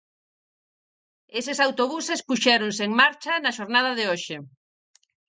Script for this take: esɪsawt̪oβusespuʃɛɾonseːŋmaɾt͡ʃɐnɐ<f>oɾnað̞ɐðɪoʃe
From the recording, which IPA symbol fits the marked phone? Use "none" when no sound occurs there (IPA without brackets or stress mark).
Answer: ʃ